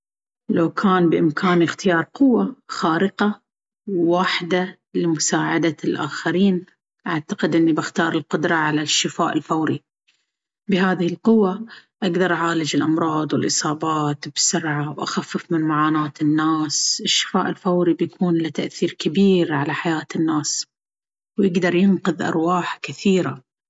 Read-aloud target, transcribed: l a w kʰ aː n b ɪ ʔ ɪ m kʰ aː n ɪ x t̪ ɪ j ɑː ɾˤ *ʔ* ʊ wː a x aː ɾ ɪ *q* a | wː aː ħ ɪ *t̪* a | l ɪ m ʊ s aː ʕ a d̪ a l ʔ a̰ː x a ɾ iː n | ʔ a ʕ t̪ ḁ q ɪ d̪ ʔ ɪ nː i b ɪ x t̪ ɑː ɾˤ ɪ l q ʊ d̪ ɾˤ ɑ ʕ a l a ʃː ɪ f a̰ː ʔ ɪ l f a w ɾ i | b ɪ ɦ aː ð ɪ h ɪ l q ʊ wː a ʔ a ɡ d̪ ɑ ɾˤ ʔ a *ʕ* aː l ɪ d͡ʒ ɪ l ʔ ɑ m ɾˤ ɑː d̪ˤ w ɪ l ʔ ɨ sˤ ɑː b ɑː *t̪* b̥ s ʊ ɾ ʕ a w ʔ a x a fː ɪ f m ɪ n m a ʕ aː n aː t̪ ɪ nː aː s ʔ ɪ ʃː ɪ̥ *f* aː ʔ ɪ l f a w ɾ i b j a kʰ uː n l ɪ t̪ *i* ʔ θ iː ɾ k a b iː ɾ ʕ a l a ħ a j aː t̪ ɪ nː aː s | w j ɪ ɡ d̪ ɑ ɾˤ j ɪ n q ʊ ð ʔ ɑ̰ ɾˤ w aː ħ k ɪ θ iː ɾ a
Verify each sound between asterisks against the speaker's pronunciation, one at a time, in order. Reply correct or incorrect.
incorrect: q, correct, incorrect: d̪, correct, correct, correct, incorrect: a

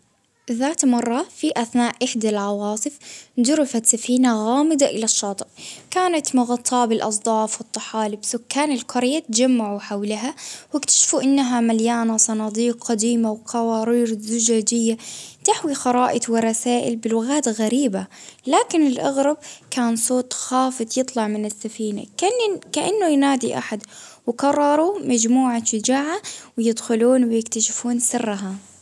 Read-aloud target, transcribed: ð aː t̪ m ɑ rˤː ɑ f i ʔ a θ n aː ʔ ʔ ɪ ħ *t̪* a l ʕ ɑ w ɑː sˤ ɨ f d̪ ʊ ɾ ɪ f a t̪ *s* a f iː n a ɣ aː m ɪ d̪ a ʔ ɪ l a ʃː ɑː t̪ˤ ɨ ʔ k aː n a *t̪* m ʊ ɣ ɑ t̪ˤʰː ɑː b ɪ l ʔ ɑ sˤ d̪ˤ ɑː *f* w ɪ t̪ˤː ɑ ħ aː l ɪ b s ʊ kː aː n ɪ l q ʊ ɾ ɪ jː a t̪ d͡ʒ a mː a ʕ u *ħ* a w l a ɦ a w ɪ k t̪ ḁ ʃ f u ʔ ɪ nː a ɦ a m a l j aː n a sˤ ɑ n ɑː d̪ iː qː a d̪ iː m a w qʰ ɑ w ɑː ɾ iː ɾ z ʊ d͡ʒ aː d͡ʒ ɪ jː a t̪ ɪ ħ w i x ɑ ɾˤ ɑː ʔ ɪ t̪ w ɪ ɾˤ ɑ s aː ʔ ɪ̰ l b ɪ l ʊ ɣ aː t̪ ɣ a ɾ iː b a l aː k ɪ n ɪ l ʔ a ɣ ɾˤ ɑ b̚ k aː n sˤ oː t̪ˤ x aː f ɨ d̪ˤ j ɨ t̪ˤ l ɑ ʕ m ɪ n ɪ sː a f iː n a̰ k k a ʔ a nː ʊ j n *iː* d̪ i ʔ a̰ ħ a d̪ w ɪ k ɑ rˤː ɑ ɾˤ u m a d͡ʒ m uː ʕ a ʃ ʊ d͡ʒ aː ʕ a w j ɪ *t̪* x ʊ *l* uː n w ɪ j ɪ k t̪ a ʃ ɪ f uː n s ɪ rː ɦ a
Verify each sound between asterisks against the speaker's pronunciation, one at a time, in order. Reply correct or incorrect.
incorrect: d̪, correct, correct, correct, correct, incorrect: aː, incorrect: d̪, correct

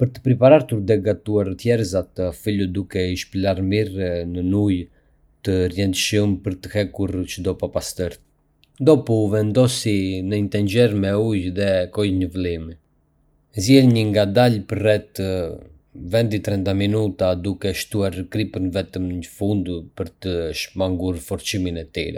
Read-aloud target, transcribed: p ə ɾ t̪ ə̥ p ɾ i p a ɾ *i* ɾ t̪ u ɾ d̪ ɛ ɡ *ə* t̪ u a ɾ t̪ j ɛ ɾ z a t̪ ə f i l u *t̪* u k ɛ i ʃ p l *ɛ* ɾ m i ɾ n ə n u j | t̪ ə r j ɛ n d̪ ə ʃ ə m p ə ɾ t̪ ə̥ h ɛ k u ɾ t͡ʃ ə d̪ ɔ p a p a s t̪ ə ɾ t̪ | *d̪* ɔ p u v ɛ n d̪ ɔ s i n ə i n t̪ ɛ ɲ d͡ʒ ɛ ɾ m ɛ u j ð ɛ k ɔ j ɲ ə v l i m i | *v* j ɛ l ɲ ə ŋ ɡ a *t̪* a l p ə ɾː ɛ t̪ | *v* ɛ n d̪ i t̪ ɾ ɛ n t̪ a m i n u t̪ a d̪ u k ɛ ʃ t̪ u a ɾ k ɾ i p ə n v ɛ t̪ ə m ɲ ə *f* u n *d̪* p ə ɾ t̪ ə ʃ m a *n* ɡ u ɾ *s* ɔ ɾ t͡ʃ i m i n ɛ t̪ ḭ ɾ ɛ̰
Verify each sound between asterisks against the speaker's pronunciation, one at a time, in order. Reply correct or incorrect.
incorrect: a, incorrect: a, incorrect: d̪, incorrect: a, correct, incorrect: z, incorrect: d̪, correct, correct, correct, incorrect: ŋ, incorrect: f

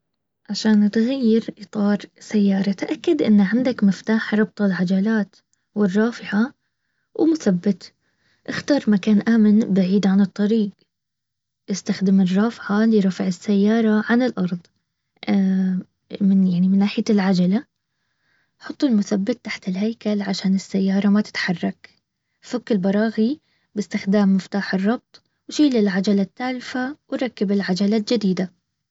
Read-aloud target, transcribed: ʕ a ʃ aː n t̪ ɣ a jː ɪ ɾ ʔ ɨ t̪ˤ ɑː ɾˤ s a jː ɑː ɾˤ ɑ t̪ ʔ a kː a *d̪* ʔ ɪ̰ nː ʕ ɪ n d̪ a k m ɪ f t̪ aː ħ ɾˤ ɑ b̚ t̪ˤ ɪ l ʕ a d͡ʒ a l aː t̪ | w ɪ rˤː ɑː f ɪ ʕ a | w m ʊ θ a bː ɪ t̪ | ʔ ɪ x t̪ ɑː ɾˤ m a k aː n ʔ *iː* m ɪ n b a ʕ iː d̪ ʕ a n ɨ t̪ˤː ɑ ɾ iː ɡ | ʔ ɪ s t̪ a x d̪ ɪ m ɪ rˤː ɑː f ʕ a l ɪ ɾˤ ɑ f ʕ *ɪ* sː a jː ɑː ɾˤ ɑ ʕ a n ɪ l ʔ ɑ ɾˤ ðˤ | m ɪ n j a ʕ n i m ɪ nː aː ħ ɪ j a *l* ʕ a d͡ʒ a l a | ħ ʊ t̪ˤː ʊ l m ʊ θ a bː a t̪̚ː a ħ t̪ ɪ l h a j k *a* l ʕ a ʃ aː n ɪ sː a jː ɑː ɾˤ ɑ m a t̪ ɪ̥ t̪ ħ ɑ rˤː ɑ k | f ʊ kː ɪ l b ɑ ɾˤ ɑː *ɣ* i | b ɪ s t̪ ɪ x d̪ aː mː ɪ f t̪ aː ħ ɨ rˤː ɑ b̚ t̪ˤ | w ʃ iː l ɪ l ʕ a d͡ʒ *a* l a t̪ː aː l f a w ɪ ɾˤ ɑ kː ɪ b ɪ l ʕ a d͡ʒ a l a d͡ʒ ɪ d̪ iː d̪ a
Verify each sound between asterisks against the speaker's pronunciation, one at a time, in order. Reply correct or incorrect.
correct, incorrect: aː, correct, correct, correct, correct, correct

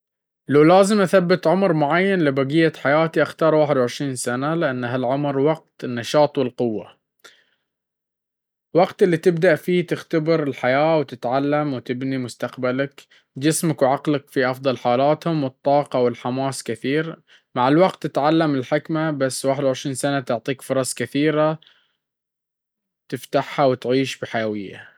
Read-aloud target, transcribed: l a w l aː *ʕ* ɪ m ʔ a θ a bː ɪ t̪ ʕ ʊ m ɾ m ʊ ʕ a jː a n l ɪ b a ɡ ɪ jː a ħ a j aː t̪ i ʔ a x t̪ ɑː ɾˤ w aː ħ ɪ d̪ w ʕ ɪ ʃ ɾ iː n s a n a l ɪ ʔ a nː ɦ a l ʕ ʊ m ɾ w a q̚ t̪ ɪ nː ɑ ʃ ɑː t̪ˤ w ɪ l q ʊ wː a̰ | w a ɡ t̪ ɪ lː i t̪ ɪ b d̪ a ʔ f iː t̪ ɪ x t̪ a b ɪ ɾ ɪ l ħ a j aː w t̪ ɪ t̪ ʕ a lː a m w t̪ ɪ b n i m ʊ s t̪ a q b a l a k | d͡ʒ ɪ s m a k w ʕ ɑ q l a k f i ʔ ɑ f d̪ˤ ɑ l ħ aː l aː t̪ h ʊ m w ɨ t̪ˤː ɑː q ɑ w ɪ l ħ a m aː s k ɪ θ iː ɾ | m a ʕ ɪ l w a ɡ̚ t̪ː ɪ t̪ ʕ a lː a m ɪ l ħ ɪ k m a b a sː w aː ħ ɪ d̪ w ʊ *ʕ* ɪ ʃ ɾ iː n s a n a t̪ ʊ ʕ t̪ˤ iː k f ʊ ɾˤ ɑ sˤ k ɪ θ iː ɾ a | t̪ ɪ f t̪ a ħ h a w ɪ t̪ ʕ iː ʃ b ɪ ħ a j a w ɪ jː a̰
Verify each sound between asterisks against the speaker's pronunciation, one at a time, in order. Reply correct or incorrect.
incorrect: z, correct

